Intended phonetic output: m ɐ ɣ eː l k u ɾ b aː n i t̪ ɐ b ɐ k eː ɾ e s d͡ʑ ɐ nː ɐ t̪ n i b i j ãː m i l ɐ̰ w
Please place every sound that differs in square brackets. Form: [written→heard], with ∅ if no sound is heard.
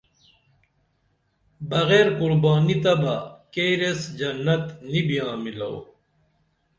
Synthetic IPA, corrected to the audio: [m→b] ɐ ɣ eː [l→ɾ] k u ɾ b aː n i t̪ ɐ b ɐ k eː ɾ e s d͡ʑ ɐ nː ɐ t̪ n i b i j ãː m i l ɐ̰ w